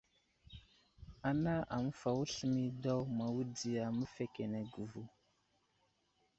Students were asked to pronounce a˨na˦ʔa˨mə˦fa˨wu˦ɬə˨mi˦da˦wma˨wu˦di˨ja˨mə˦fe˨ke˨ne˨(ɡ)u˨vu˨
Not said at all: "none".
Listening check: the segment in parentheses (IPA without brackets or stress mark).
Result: ɡ